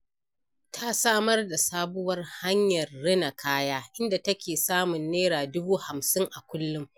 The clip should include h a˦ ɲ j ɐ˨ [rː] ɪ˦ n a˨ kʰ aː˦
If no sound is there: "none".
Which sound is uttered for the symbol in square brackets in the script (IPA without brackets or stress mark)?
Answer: rː